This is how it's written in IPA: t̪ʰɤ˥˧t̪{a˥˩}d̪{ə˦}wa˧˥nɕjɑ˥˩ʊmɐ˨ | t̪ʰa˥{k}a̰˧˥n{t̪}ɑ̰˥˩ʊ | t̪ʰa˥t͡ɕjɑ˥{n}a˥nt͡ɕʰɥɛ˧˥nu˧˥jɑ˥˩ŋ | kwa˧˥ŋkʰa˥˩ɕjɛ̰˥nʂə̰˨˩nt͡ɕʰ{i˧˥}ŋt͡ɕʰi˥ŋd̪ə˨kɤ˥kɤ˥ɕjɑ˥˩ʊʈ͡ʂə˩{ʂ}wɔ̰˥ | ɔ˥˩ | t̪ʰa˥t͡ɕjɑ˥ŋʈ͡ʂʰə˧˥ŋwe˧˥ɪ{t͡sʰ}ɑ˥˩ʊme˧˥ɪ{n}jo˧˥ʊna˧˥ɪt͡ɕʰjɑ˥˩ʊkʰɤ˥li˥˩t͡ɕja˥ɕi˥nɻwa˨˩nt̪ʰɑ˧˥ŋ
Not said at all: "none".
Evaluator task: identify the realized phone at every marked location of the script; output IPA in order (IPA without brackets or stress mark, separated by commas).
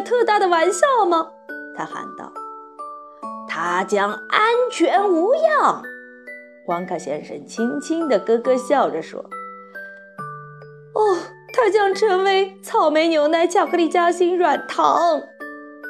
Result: a˥˩, ə˩, x, t̪, ŋ, i˥, ʂ, t͡sʰ, n